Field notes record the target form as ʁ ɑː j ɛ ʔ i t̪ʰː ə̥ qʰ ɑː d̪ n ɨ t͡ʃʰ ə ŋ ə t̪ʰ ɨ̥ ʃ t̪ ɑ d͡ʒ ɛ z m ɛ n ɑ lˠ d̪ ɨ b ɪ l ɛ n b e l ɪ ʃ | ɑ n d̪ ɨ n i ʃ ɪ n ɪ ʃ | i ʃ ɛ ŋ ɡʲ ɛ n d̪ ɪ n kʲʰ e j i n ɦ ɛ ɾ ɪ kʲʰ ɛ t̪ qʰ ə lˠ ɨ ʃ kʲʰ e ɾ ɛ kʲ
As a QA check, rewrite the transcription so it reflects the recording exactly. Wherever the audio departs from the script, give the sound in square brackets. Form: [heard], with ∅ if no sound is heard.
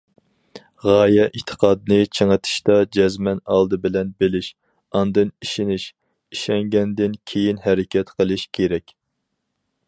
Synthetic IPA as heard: ʁ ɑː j ɛ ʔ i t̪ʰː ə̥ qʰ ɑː d̪ n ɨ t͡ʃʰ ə ŋ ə t̪ʰ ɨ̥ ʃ t̪ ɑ d͡ʒ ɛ z m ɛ n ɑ lˠ d̪ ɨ b ɪ l ɛ n b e l ɪ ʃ | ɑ n d̪ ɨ n i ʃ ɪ n ɪ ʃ | i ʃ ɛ ŋ ɡʲ ɛ n d̪ ɪ n kʲʰ e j i n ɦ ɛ ɾ ɪ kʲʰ ɛ t̪ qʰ ə lˠ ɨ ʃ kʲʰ e ɾ ɛ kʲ